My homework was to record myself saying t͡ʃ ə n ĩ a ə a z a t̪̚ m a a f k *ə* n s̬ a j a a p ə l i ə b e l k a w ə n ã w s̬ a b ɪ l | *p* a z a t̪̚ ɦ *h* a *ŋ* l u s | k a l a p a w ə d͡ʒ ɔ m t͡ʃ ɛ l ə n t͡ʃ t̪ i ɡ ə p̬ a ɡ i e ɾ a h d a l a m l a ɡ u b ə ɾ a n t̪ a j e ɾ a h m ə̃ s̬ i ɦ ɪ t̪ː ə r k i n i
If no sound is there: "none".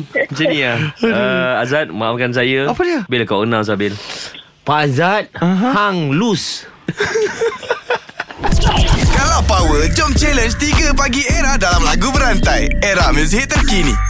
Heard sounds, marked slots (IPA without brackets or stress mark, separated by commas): a, p, h, ŋ